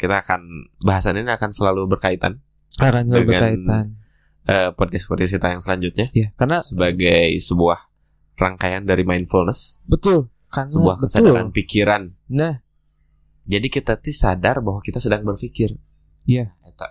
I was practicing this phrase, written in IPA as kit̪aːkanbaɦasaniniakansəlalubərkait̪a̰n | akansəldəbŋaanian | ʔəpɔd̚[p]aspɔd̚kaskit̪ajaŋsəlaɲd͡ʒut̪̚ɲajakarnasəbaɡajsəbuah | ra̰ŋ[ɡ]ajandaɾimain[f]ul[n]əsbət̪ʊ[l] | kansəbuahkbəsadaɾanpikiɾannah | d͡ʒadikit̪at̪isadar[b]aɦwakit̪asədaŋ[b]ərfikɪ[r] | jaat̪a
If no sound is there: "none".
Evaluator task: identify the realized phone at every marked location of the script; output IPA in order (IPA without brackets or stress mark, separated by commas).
k, k, f, n, l, b, b, r